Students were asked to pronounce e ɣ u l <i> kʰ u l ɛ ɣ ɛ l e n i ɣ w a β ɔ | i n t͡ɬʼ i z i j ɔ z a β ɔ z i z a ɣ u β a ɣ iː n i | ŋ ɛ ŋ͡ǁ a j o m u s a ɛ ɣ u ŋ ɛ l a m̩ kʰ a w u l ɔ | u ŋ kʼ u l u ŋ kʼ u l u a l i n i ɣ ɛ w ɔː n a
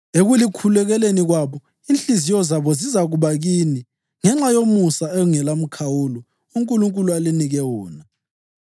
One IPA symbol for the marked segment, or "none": i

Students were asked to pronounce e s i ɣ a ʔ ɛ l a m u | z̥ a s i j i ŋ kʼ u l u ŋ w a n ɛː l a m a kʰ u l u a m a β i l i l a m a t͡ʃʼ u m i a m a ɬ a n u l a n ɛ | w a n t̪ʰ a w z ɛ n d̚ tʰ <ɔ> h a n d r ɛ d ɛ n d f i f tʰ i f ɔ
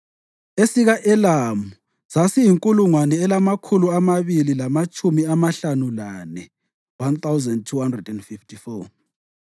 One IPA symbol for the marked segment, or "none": u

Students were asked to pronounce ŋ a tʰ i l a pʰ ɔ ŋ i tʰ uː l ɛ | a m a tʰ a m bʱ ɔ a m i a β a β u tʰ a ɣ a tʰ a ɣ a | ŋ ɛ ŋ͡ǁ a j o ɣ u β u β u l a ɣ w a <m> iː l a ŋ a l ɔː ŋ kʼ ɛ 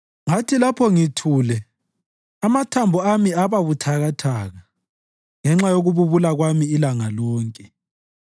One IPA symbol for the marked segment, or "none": m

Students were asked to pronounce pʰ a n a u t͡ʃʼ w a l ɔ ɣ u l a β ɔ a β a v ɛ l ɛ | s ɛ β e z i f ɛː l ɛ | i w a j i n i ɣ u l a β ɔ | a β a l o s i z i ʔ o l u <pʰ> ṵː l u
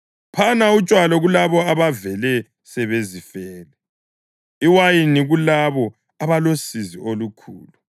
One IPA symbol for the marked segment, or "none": kʰ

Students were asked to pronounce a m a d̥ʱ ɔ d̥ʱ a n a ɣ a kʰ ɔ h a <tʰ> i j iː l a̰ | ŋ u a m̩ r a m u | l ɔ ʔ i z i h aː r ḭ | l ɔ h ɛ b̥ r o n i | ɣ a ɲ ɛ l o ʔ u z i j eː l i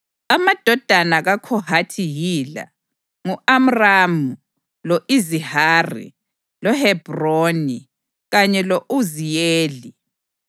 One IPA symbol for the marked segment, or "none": tʰ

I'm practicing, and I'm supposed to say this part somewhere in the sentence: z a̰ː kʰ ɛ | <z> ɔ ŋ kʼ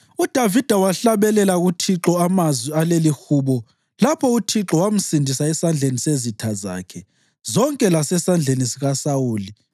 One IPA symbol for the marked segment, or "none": z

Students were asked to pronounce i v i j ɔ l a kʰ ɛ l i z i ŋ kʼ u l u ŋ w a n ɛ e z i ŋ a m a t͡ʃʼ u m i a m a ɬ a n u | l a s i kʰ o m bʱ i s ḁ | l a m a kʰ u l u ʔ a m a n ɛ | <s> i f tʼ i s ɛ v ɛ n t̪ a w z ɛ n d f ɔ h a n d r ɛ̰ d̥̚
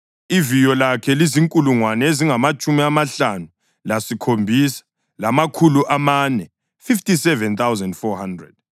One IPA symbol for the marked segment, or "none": f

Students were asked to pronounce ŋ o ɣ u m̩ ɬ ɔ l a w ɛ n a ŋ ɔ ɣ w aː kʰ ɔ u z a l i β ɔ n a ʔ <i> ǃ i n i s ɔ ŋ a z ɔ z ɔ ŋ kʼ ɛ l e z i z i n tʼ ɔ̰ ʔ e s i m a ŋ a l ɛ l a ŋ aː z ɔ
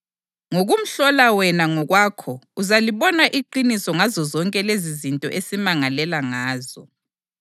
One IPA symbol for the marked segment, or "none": i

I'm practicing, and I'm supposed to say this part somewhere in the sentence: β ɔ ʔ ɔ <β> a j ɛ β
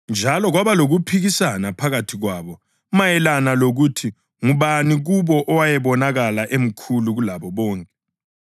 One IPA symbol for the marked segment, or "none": w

